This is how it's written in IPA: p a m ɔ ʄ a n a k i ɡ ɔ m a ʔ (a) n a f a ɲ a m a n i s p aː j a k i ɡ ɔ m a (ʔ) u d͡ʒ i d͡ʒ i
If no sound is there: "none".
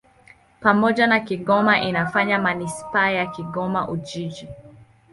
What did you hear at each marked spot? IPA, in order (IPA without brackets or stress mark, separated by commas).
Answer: i, ʔ